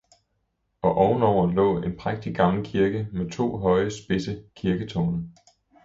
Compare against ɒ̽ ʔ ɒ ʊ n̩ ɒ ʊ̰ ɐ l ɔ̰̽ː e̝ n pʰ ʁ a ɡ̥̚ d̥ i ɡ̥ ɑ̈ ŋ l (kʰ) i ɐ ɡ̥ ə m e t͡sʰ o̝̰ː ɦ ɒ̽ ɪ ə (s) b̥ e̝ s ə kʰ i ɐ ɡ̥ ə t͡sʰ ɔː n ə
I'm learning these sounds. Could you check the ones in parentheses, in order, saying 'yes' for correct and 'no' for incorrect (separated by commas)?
yes, yes